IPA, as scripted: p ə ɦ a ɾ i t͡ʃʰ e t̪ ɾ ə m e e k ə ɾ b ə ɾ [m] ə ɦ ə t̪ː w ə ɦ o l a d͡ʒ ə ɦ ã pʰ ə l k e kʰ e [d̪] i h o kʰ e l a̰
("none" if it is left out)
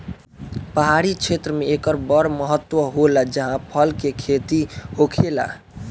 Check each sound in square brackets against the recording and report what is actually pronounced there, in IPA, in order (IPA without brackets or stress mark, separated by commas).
m, t̪